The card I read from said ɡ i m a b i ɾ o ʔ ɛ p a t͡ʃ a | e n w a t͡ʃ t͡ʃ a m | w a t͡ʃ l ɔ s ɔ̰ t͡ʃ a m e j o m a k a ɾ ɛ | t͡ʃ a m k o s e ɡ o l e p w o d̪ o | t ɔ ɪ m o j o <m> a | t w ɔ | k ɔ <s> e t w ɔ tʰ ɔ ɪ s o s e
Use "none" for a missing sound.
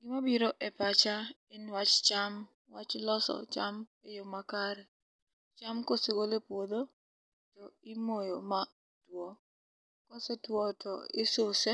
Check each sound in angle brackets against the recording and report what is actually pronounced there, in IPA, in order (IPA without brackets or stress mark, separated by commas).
m, s